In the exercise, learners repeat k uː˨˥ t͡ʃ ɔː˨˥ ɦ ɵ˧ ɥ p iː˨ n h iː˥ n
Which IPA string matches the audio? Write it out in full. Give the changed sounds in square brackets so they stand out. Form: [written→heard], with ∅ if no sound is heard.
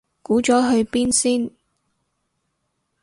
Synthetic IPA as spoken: k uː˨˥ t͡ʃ ɔː˨˥ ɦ ɵ˧ ɥ p [iː˨→iː˥] n [h→s] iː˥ n